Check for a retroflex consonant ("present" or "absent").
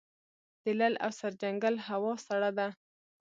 present